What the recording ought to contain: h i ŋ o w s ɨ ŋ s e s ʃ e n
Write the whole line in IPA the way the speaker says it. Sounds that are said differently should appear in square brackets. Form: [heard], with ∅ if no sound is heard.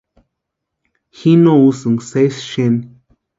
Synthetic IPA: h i [n] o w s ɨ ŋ s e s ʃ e n

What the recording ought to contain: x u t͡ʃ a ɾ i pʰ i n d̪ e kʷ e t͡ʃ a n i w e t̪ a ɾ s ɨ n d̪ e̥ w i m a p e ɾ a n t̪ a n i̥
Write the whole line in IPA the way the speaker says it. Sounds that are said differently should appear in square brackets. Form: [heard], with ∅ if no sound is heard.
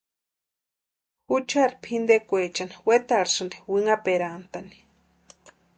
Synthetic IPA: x u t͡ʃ a ɾ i pʰ i n d̪ e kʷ e t͡ʃ a n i w e t̪ a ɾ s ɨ n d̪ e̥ w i [ŋ] a p e ɾ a n t̪ a n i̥

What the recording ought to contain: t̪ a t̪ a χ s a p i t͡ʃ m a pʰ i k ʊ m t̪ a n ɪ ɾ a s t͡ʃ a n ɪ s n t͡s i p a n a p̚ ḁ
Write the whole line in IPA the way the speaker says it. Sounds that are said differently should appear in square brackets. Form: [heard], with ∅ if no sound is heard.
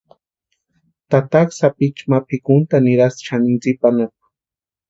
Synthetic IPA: t̪ a t̪ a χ s a p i t͡ʃ m a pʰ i k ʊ [n] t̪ a n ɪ ɾ a s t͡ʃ a n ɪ [∅] n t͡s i p a n a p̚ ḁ

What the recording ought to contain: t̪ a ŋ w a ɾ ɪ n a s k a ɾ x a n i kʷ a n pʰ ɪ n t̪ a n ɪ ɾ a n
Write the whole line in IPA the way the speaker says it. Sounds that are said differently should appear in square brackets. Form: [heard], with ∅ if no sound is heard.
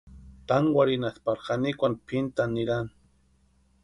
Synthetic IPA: t̪ a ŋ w a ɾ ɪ n a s [p] a ɾ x a n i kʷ a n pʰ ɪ n t̪ a n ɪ ɾ a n

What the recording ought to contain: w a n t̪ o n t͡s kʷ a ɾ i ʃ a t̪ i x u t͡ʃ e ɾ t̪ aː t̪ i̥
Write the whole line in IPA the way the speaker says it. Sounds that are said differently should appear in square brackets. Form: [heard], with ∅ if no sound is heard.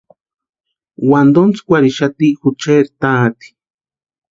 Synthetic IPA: w a n [d̪] o n t͡s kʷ a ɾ i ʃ a t̪ i x u t͡ʃ e ɾ t̪ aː t̪ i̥

